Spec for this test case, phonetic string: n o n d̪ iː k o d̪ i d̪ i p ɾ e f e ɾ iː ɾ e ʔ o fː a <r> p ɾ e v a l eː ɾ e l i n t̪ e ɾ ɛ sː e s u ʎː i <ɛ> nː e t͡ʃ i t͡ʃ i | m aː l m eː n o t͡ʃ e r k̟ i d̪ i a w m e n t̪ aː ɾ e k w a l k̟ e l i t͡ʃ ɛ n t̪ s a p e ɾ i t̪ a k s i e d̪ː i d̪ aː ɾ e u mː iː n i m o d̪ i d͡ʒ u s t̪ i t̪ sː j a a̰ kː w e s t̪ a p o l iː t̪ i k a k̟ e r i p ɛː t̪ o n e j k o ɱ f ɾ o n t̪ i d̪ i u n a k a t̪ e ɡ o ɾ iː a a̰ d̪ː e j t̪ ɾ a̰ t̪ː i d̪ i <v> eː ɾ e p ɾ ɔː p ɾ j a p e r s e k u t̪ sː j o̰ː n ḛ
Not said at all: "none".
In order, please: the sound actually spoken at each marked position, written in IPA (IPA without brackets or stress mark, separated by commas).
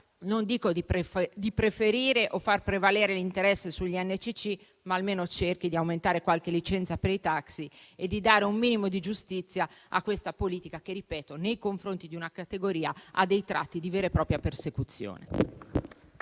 r, ɛ, v